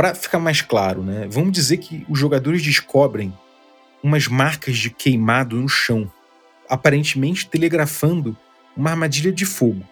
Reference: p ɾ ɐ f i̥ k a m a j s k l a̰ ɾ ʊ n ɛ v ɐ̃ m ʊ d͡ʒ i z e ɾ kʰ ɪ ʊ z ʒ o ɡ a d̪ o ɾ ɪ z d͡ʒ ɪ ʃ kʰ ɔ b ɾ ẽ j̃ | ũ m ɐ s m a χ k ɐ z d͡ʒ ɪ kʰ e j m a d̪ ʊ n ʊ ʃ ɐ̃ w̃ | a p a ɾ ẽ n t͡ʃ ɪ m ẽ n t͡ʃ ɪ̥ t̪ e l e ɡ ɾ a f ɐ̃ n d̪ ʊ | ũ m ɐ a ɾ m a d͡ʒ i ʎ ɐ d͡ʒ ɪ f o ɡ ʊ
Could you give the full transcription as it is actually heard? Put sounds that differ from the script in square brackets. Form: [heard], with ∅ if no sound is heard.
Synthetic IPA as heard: p ɾ ɐ f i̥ k a m a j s k l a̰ ɾ ʊ n ɛ v ɐ̃ m ʊ d͡ʒ i z e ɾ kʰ ɪ ʊ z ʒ o ɡ a d̪ o ɾ ɪ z d͡ʒ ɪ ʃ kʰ ɔ b ɾ ẽ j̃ | ũ m ɐ [z] m a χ k ɐ z d͡ʒ ɪ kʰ e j m a d̪ ʊ n ʊ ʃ ɐ̃ w̃ | a p a ɾ ẽ n t͡ʃ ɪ m ẽ n t͡ʃ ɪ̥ t̪ e l e ɡ ɾ a f ɐ̃ n d̪ ʊ | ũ m ɐ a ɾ m a d͡ʒ i ʎ ɐ d͡ʒ ɪ f o ɡ ʊ